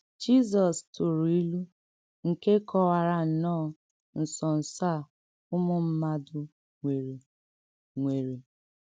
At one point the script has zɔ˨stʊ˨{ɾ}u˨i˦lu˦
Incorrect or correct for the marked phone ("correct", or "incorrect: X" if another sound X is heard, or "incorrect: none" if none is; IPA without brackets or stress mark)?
correct